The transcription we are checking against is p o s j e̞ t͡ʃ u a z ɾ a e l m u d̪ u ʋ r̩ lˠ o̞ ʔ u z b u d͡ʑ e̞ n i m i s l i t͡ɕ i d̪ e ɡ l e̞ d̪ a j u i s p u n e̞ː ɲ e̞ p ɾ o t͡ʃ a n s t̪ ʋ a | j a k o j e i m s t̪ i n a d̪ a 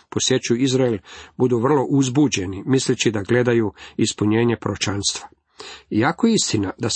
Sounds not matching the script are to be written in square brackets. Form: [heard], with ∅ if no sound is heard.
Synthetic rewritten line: p o s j e̞ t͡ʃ u [i] z ɾ a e l [b] u d̪ u ʋ r̩ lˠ o̞ ʔ u z b u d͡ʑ e̞ n i m i s l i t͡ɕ i d̪ [a] ɡ l e̞ d̪ a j u i s p u [ɲ] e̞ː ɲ e̞ p ɾ o t͡ʃ a n s t̪ ʋ a | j a k o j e i [∅] s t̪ i n a d̪ a